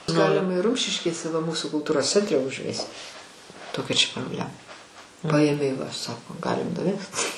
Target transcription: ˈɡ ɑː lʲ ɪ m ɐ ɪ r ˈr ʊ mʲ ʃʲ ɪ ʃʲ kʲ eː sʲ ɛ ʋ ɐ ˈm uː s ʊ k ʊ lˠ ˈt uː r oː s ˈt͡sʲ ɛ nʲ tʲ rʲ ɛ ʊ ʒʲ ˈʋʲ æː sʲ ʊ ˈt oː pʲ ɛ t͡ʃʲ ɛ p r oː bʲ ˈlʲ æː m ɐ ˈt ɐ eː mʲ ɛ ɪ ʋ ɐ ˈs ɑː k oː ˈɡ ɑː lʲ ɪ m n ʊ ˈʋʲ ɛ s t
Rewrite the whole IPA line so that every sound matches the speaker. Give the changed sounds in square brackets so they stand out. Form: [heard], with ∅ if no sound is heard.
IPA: ˈɡ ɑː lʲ ɪ m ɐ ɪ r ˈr ʊ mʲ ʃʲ ɪ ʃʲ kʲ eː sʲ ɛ ʋ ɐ ˈm uː s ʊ k ʊ lˠ ˈt uː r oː s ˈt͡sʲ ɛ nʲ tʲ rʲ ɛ ʊ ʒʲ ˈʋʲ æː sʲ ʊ ˈt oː [kʲ] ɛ t͡ʃʲ ɛ p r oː bʲ ˈlʲ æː m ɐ [ˈp] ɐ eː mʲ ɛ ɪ ʋ ɐ ˈs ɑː k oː ˈɡ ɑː lʲ ɪ m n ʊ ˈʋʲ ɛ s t